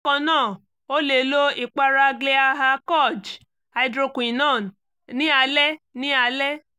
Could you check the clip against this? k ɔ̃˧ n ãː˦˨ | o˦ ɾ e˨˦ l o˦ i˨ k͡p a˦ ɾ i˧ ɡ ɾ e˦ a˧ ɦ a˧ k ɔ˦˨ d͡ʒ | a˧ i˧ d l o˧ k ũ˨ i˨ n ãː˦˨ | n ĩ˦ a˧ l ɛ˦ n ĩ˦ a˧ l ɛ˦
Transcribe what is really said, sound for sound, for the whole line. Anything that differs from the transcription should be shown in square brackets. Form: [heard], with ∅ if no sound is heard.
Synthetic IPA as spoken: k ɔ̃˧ n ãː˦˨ | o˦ [l] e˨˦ l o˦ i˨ k͡p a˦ ɾ [a˧] ɡ [l] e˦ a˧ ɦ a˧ k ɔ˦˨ d͡ʒ | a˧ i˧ d [ɾ] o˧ k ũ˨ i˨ n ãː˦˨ | n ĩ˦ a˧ l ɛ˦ n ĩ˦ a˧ l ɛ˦